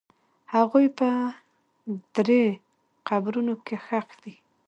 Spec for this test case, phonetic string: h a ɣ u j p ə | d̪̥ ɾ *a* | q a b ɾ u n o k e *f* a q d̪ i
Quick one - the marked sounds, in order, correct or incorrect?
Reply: incorrect, incorrect

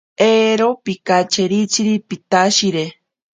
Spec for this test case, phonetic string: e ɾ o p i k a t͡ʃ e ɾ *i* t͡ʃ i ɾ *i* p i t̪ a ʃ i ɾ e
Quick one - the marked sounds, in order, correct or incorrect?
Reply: correct, correct

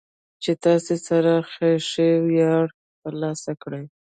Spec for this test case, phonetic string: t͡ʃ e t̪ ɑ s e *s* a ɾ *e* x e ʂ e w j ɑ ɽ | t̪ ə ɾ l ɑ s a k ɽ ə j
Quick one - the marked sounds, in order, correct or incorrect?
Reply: correct, incorrect

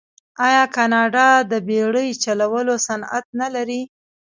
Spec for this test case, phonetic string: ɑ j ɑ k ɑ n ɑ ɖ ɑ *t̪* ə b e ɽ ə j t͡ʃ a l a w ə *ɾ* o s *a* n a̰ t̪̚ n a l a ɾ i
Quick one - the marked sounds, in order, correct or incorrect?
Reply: incorrect, incorrect, correct

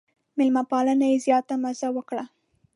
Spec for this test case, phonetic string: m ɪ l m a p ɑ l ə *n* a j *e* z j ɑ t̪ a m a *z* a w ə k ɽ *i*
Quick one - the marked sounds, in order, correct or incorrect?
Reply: correct, correct, correct, incorrect

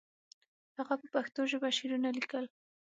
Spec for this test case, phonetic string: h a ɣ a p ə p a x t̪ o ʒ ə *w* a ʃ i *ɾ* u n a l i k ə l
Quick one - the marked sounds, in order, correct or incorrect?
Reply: incorrect, correct

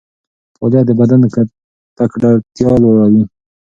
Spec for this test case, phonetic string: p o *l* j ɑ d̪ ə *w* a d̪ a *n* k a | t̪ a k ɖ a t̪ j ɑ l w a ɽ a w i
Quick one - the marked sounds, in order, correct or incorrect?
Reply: correct, incorrect, correct

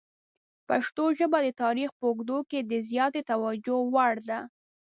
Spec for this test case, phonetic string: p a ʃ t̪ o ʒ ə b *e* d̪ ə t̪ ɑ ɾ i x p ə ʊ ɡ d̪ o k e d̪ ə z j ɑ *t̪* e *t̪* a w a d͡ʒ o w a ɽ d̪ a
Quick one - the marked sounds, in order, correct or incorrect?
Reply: incorrect, correct, correct

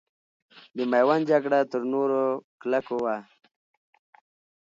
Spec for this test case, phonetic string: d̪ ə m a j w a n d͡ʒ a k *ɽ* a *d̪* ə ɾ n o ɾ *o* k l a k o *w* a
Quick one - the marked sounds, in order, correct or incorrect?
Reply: correct, incorrect, correct, correct

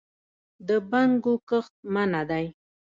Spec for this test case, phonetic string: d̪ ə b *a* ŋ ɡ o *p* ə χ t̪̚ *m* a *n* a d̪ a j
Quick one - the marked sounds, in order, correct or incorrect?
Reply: correct, incorrect, correct, correct

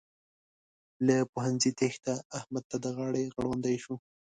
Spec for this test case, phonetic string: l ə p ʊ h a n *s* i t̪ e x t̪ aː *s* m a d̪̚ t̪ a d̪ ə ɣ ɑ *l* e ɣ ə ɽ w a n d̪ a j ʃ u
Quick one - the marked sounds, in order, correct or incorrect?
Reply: incorrect, incorrect, incorrect

